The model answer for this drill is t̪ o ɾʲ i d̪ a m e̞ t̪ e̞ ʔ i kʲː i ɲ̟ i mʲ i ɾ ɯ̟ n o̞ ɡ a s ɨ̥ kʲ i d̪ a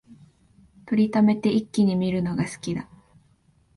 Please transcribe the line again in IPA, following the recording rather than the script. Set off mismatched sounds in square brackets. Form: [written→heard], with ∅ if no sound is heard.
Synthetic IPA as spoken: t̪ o ɾʲ i [d̪→t̪] a m e̞ t̪ e̞ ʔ i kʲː i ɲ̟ i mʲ i ɾ ɯ̟ n o̞ ɡ a s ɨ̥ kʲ i d̪ a